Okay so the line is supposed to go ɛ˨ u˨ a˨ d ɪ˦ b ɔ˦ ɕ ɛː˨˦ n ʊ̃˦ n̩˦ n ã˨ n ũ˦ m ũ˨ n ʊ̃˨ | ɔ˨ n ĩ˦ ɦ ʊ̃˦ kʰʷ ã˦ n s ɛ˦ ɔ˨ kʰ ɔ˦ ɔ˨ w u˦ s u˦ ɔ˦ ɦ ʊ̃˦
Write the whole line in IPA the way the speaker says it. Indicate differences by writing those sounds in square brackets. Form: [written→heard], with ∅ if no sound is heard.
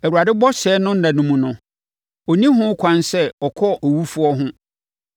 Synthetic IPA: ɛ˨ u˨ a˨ d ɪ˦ b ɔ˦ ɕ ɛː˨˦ n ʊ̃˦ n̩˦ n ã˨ n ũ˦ m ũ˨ n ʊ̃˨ | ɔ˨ n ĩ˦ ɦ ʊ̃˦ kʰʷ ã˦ n s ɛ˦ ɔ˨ kʰ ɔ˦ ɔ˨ w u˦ [s→f] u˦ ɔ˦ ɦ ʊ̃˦

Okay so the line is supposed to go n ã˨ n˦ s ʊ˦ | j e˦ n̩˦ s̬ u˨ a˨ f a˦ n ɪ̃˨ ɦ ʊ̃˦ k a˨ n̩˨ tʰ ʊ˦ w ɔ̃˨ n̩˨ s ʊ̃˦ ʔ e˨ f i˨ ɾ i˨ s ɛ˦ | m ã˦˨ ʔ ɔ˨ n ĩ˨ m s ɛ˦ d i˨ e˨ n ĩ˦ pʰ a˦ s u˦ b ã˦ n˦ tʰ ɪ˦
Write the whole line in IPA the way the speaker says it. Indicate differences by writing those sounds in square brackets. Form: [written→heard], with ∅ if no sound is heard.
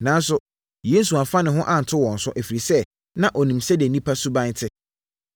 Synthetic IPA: n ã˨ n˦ s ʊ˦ | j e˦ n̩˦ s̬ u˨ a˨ f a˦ n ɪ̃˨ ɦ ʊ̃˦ [k→ʔ] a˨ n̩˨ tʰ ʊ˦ w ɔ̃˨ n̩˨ s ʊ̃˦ ʔ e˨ f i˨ ɾ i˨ s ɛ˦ | [m→n] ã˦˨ ʔ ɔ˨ n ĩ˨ m s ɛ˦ d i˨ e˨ n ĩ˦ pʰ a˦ s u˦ b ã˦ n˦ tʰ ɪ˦

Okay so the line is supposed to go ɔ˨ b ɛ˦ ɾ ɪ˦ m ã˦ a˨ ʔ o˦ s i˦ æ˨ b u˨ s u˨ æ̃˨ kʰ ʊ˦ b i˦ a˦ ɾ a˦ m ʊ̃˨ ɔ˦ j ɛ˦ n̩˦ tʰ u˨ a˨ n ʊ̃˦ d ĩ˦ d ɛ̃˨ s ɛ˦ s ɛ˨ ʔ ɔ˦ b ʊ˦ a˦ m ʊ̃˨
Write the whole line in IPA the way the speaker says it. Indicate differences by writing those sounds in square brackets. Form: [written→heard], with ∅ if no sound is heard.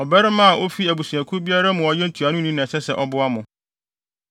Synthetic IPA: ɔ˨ b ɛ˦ ɾ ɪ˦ m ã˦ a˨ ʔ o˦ [s→f] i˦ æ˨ b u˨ s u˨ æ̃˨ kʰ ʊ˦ b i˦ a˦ ɾ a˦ m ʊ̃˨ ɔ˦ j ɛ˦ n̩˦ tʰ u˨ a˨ n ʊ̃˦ [d→n] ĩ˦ [d→n] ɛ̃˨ s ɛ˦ s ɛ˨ ʔ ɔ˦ b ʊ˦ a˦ m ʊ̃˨

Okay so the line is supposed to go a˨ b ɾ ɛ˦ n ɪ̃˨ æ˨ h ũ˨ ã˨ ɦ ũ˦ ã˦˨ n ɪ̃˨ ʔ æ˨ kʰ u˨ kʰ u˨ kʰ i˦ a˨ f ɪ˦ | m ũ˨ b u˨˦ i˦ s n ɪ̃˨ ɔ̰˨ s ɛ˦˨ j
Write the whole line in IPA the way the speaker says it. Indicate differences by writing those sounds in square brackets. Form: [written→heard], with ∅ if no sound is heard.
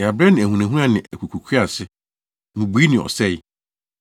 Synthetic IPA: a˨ b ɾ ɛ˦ n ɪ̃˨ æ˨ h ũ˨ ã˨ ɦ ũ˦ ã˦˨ n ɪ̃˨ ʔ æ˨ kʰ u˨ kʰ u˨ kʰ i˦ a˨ [f→s] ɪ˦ | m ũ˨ b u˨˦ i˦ [s→∅] n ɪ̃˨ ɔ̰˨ s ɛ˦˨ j

